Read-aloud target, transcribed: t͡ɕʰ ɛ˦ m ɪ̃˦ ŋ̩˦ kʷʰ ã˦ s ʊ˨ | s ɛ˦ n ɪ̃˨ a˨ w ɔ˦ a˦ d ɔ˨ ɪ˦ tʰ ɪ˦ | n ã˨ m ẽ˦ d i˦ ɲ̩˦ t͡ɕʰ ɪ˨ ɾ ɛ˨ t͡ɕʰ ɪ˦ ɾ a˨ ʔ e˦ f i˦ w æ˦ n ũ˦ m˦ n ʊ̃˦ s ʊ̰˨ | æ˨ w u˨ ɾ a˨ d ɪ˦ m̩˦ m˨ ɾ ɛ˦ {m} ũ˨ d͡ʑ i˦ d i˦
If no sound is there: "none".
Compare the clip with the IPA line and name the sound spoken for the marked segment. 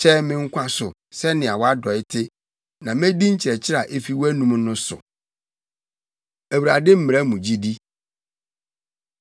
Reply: m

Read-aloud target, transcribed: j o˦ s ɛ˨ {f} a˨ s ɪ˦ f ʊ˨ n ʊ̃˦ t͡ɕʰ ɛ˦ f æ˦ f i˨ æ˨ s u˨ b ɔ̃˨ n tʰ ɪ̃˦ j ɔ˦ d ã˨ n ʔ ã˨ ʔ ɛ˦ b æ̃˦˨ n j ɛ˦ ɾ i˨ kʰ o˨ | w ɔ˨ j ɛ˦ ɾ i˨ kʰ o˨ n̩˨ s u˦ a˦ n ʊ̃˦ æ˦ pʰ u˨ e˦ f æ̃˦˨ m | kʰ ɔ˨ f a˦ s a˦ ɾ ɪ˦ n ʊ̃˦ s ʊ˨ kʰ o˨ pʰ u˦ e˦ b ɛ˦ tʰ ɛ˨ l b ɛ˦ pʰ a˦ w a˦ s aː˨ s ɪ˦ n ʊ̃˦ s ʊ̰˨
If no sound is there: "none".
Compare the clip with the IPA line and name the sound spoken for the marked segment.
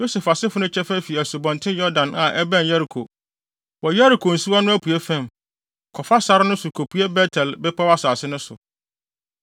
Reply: f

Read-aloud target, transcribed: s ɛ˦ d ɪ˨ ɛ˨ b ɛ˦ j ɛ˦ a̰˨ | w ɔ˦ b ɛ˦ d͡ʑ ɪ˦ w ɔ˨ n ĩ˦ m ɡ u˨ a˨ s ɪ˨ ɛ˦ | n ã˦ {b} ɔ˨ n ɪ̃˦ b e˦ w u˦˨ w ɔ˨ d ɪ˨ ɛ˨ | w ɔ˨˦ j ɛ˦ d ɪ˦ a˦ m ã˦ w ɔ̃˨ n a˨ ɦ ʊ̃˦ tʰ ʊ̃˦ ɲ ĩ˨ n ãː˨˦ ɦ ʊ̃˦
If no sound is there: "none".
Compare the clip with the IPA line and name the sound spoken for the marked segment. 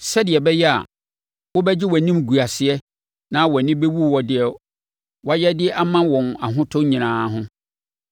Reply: w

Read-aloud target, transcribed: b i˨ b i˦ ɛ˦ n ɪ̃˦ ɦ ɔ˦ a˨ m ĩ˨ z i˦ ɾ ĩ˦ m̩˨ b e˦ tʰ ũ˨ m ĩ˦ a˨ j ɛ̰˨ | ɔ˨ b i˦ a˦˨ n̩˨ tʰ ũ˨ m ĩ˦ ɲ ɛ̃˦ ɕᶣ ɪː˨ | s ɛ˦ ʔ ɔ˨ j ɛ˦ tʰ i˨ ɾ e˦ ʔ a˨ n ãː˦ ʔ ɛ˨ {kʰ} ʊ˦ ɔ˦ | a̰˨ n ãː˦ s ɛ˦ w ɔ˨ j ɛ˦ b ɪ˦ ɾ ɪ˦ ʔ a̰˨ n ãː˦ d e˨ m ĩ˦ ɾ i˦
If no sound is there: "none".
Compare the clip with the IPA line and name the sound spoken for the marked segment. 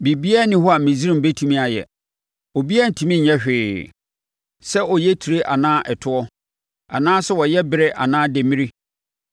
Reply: tʰ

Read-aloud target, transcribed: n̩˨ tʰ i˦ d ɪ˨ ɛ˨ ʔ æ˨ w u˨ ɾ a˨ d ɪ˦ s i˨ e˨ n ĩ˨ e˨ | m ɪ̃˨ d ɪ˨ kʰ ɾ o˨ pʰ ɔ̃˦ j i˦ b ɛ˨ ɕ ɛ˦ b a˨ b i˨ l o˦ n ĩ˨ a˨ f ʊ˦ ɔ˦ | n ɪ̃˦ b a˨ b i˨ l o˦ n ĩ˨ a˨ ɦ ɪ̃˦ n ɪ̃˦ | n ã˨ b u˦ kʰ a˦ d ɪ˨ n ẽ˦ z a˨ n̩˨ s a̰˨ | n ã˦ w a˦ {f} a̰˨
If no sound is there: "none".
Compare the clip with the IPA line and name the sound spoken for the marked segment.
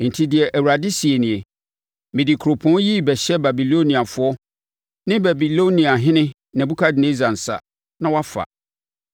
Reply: f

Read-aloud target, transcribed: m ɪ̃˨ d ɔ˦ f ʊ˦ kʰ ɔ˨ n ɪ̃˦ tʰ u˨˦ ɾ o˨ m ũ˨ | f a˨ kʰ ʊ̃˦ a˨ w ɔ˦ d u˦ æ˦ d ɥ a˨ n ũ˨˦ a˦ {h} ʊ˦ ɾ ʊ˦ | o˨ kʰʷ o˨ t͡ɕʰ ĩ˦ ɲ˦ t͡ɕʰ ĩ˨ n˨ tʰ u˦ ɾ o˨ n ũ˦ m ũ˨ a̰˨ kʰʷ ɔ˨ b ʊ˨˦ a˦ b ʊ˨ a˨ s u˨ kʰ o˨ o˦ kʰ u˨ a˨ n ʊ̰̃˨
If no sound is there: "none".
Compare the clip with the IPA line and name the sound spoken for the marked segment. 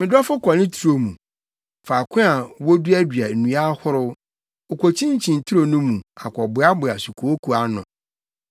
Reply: h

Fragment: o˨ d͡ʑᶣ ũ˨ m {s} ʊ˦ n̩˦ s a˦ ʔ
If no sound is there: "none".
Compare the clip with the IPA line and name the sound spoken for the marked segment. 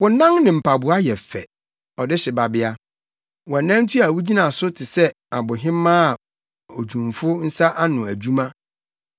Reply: f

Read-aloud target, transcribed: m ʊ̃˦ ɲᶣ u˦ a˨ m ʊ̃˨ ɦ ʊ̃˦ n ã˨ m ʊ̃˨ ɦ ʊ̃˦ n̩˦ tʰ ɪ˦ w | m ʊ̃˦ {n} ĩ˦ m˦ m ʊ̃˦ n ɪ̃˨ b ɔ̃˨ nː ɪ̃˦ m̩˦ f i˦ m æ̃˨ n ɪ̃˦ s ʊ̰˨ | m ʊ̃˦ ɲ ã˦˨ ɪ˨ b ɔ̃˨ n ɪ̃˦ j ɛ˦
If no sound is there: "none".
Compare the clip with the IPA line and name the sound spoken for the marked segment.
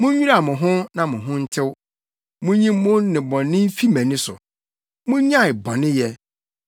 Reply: ɲ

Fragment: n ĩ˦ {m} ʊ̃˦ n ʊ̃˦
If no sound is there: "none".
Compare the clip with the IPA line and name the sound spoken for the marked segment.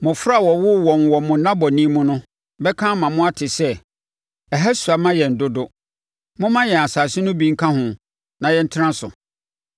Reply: m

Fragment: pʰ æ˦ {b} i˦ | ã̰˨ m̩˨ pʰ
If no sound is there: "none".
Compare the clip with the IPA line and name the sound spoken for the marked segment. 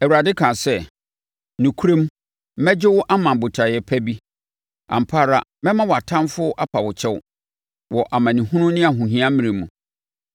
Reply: b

